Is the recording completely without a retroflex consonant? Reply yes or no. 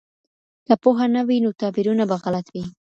yes